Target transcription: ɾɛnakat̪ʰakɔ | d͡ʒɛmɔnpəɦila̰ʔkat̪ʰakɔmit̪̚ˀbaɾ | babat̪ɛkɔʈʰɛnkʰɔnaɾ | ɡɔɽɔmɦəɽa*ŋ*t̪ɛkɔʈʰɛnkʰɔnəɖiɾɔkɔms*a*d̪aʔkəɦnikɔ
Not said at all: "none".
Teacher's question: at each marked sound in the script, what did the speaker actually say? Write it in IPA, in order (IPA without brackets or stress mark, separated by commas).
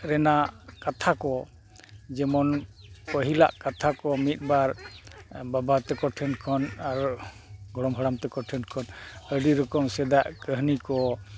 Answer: m, ɛ